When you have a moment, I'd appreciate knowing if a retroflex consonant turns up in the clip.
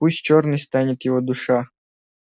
yes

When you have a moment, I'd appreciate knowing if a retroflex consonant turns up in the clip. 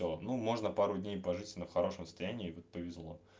yes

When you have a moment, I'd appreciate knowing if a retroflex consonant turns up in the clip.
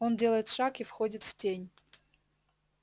yes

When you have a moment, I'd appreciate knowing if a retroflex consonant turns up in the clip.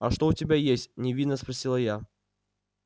yes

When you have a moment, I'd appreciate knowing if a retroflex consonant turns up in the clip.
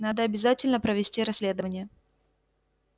no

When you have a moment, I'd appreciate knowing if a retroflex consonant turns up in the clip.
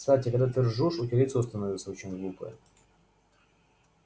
yes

